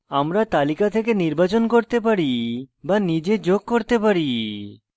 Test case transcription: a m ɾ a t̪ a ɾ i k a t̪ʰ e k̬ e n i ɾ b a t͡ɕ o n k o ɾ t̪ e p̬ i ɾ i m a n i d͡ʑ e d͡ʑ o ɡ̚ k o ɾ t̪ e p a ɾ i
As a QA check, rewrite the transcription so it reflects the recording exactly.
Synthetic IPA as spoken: a m ɾ a t̪ a l i k a t̪ʰ e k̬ e n i ɾ b a t͡ɕ o n k o ɾ t̪ e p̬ a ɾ i b a n i d͡ʑ e d͡ʑ o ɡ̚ k o ɾ t̪ e p a ɾ i